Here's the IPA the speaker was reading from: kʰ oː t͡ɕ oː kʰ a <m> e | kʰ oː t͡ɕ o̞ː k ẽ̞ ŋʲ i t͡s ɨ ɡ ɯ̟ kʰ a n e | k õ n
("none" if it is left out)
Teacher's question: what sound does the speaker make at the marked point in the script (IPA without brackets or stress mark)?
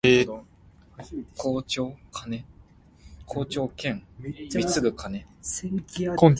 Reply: n